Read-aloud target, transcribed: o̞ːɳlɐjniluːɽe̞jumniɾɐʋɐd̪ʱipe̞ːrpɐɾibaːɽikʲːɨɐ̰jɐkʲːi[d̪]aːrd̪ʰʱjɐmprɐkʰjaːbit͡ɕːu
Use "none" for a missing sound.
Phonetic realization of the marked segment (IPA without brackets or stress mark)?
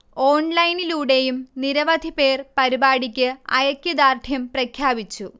d̪